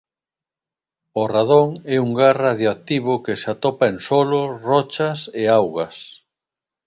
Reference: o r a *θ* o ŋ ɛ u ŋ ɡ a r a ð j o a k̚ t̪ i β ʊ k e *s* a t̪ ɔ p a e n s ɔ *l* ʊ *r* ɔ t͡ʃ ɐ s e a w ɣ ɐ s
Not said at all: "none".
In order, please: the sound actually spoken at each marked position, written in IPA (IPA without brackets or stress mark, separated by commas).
ð, s, l, r